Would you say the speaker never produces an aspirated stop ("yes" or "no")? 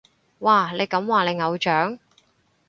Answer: yes